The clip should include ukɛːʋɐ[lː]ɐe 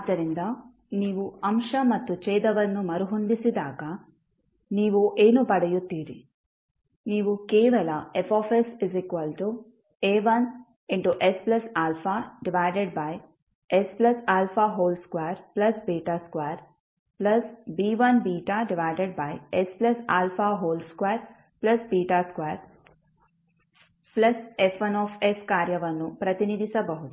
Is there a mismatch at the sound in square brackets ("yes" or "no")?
yes